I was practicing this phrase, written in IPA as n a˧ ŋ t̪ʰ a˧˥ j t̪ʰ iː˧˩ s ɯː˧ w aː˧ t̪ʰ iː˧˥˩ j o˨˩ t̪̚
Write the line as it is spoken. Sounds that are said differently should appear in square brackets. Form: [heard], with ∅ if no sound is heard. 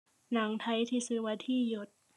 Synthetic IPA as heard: n [a˩˦] ŋ t̪ʰ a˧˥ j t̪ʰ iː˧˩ s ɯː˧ w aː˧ t̪ʰ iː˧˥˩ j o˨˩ t̪̚